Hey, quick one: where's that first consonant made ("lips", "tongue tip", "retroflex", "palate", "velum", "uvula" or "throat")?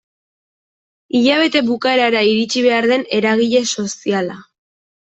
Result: palate